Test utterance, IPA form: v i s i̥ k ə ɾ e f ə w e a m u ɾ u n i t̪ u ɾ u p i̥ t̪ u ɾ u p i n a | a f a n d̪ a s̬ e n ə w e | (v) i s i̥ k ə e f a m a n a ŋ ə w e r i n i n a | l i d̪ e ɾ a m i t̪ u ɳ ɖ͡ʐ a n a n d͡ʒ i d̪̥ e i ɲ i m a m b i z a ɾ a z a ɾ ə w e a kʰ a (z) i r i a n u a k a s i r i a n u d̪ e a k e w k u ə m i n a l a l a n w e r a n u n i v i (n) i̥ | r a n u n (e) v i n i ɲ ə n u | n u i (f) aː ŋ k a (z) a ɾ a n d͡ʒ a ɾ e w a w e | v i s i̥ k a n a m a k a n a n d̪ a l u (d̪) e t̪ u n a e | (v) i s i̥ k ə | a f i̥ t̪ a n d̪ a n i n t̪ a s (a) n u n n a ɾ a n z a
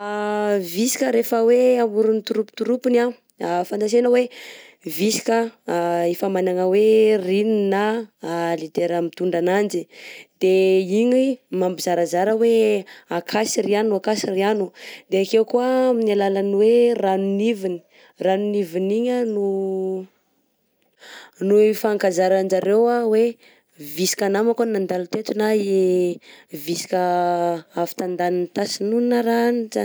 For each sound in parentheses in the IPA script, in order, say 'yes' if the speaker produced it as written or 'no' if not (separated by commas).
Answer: yes, no, yes, no, yes, yes, no, yes, no